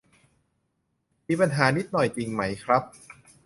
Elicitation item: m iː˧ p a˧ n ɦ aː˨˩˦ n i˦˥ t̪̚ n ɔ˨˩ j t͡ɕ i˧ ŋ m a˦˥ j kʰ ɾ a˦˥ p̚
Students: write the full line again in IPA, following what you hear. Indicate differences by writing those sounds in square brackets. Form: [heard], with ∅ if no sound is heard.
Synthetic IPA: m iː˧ p a˧ n ɦ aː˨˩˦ n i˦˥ t̪̚ n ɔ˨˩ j t͡ɕ i˧ ŋ m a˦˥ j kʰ ɾ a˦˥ p̚